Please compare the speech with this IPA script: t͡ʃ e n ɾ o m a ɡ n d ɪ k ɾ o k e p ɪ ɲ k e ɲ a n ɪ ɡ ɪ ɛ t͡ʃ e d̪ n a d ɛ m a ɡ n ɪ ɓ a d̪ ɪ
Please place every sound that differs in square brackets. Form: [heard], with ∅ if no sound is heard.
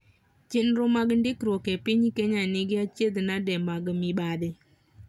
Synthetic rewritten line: t͡ʃ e n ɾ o m a ɡ n d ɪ k ɾ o k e p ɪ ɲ k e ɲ a n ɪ ɡ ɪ [a] t͡ʃ e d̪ n a d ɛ m a ɡ [m] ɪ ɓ a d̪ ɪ